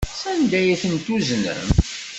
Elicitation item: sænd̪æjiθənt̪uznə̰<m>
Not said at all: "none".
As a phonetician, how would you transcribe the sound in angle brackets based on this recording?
m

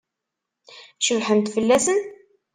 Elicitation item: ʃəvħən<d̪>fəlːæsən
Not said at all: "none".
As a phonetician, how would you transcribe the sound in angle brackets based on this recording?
t̪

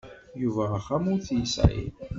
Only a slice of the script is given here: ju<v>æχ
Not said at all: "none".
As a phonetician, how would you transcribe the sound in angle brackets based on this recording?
v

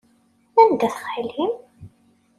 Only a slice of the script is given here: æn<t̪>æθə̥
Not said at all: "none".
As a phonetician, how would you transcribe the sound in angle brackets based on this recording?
d̪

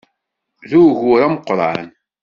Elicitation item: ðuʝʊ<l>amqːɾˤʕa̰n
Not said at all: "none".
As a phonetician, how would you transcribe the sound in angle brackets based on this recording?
ɾ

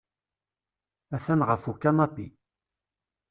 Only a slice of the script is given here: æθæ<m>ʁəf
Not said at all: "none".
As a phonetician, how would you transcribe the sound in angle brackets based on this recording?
n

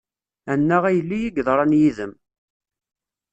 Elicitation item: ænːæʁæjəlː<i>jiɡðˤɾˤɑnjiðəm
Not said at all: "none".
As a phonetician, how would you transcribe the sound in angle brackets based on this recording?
i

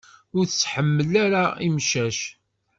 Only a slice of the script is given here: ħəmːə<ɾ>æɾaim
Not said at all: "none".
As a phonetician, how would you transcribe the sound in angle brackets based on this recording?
l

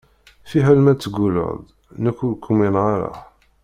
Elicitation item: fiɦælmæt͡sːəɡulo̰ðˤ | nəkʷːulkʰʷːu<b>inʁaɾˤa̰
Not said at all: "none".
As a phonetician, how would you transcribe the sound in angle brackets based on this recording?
m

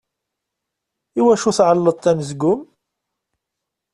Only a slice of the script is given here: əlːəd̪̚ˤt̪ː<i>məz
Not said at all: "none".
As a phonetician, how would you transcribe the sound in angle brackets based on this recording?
æ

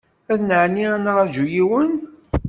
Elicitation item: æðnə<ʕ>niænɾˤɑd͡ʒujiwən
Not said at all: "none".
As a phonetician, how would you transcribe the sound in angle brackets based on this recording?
ʕ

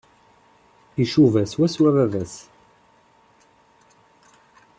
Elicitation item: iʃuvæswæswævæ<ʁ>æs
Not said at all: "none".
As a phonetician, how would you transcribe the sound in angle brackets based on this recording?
v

